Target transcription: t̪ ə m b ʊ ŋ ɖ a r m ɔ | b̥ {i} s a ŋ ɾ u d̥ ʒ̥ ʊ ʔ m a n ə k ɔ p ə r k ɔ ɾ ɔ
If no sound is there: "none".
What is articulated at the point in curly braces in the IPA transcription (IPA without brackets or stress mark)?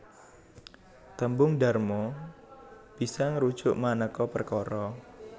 i